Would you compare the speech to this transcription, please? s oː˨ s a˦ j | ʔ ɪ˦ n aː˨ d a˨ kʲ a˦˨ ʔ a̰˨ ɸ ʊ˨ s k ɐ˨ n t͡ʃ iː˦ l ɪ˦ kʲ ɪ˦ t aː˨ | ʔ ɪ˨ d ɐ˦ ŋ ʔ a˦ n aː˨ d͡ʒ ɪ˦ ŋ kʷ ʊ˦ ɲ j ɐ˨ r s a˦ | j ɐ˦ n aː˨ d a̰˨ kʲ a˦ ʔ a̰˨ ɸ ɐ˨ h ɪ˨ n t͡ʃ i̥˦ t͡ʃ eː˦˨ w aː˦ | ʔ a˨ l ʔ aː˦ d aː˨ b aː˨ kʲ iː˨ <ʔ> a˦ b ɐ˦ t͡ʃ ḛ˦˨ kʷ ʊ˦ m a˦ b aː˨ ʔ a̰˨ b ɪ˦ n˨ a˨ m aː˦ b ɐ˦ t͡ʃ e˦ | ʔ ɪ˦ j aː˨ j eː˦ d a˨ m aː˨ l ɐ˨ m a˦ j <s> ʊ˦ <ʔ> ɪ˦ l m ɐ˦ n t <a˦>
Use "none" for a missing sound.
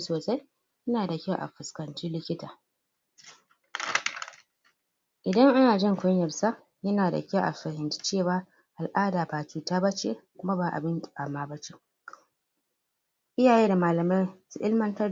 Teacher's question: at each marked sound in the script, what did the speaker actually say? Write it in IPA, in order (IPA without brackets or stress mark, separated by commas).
t, s, ʔ, ɐ˦